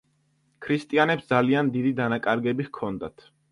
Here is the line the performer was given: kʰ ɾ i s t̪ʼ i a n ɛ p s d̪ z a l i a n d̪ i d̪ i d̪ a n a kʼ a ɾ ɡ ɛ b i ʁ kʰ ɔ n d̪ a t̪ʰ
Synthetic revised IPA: kʰ ɾ i s t̪ʼ i a n ɛ p s d̪ z a l i a n d̪ i d̪ i d̪ a n a kʼ a ɾ ɡ ɛ b i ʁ kʰ ɔ n d̪ a t̪ʰ